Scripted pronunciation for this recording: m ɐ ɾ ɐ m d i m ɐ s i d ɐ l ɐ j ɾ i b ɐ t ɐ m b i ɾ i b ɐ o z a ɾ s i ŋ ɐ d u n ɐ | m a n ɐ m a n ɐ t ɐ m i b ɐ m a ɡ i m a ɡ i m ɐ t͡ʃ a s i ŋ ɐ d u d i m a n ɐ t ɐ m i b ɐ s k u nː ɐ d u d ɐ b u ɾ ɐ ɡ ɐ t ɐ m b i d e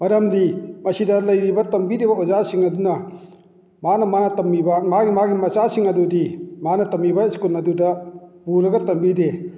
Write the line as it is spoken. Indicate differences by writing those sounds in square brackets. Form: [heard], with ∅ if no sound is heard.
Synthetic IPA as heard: m ɐ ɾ ɐ m d i m ɐ s i d ɐ l ɐ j ɾ i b ɐ t ɐ m b i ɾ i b ɐ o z a [∅] s i ŋ ɐ d u n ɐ | m a n ɐ m a n ɐ t ɐ m i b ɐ m a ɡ i m a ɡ i m ɐ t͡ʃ a s i ŋ ɐ d u d i m a n ɐ t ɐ m i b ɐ s k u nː ɐ d u d ɐ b u ɾ ɐ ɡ ɐ t ɐ m b i d e